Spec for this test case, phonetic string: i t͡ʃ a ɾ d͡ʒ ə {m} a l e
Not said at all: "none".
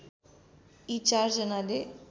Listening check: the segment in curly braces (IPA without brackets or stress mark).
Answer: n